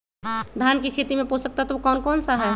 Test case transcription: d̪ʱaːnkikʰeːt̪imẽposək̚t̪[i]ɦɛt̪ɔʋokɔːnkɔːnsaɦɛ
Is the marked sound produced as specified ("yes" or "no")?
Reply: no